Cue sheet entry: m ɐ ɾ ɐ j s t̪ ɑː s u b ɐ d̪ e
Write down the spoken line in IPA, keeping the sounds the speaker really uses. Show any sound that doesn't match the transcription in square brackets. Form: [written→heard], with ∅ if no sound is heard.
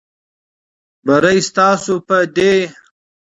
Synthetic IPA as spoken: [m→b] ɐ ɾ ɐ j s t̪ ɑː s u [b→p] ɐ d̪ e